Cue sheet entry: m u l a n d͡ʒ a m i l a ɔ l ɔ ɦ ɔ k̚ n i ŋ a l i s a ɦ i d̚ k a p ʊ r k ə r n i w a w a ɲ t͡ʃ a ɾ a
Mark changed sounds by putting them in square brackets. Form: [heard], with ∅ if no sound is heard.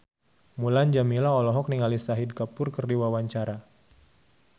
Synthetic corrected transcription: m u l a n d͡ʒ a m i l a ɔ l ɔ ɦ ɔ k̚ n i ŋ a l i s a ɦ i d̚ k a p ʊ r k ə r [d] i w a w a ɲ t͡ʃ a ɾ a